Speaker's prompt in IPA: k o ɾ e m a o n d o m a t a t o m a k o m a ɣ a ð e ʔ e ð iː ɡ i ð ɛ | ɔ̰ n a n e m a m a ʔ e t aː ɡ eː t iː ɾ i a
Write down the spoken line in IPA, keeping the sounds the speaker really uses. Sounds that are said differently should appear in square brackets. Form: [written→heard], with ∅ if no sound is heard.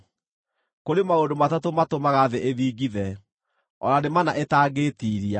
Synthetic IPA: k o ɾ e m a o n d o m a t a t o m a [k→t] o m a ɣ a ð e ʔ e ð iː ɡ i ð ɛ | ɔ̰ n a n e m a [m→n] a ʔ e t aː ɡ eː t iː ɾ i a